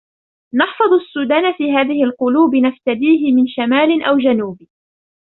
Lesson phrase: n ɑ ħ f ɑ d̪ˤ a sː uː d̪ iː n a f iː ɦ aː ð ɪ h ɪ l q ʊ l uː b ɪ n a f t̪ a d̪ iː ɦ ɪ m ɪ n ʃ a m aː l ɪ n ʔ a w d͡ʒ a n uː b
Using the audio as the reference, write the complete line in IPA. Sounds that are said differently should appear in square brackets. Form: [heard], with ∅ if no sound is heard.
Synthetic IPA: n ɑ ħ f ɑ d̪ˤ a sː uː d̪ [aː] n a f iː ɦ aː ð ɪ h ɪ l q ʊ l uː b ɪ n a f t̪ a d̪ iː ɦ ɪ m ɪ n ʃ a m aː l ɪ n ʔ a w d͡ʒ a n uː b